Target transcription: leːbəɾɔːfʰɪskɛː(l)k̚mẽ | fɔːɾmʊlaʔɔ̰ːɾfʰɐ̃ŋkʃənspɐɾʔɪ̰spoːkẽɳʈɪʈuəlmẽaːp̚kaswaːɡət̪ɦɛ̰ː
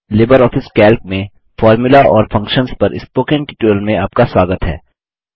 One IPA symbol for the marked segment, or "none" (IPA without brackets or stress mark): l